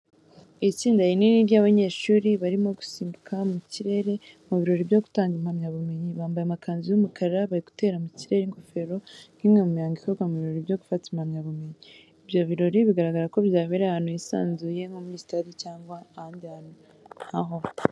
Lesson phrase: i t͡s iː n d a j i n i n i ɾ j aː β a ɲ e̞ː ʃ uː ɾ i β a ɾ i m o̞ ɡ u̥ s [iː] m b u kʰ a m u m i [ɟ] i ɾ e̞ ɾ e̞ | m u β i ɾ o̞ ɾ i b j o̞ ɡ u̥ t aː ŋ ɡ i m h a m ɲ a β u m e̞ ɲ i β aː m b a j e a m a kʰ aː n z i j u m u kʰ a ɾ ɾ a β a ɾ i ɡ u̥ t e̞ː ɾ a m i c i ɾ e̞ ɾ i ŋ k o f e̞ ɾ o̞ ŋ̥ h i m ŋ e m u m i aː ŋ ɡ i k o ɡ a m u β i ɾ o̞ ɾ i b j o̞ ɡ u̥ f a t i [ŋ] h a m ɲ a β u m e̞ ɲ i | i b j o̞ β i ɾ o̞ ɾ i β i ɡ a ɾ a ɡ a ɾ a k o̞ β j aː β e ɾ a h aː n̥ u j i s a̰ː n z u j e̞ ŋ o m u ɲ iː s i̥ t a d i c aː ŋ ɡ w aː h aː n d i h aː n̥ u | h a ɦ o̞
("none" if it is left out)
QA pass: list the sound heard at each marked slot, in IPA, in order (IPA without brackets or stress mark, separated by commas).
iː, c, m